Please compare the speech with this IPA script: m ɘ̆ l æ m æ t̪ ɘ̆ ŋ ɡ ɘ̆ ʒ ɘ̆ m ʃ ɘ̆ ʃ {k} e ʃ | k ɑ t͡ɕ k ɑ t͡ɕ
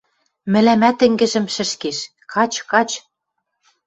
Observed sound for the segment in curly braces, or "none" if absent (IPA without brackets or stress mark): k